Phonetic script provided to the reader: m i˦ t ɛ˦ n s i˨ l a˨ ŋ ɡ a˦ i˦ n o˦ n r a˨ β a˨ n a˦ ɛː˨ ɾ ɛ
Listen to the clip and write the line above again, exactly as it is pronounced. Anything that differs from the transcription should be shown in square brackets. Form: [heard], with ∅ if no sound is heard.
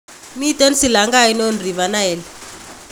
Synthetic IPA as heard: m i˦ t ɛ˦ n s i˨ l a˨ ŋ ɡ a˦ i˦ n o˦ n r [i˨] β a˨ n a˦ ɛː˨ [l] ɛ